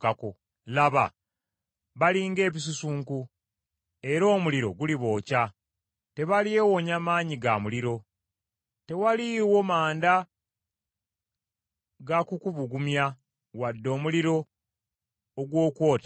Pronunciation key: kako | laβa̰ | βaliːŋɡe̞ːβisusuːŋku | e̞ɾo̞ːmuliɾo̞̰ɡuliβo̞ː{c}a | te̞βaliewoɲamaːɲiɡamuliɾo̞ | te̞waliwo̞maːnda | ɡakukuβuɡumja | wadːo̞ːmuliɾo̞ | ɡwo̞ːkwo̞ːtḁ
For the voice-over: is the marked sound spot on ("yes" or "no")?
yes